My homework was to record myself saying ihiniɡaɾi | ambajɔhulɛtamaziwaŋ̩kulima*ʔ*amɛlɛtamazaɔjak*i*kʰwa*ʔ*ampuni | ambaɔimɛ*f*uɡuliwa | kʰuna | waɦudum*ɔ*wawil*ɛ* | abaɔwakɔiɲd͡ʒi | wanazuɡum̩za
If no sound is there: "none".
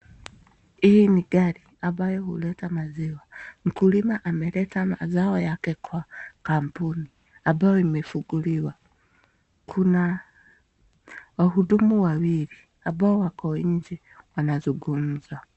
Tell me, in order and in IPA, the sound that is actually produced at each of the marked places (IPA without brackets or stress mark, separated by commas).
ʔ, ɛ, k, f, u, i